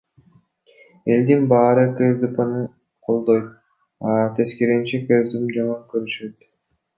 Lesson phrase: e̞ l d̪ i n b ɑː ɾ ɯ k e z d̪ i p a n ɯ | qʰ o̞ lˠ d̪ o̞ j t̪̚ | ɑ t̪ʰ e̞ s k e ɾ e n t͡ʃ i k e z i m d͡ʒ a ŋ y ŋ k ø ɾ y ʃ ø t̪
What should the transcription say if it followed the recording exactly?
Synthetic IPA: e̞ l d̪ i n b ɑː ɾ ɯ k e z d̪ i p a n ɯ | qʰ o̞ lˠ d̪ o̞ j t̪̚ | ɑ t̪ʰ e̞ s k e ɾ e n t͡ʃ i k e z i m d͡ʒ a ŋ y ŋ k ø ɾ y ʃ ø t̪